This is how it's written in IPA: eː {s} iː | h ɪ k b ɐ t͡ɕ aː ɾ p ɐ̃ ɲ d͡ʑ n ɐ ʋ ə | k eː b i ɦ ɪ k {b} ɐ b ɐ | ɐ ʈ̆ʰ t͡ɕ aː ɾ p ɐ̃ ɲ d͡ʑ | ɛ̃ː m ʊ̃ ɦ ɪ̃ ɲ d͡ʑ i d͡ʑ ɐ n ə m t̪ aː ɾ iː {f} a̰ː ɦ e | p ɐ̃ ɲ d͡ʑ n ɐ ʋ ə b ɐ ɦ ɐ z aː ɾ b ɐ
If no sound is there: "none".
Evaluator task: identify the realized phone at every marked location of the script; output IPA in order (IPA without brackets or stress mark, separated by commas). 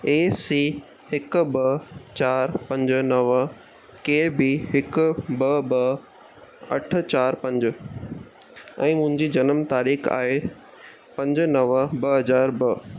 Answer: s, b, x